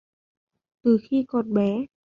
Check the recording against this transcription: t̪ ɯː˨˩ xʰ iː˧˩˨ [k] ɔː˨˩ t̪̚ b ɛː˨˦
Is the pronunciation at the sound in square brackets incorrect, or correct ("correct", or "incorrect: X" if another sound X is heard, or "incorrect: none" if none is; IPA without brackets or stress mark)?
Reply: correct